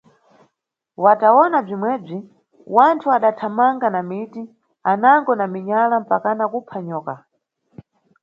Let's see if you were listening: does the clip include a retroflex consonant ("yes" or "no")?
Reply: yes